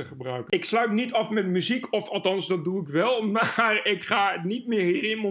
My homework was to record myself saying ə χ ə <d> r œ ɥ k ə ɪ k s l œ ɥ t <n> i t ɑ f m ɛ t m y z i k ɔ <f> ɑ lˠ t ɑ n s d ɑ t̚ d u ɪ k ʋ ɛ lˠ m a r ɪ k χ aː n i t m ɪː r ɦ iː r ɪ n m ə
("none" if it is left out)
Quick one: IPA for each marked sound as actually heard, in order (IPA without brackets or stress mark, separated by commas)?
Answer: b, n, f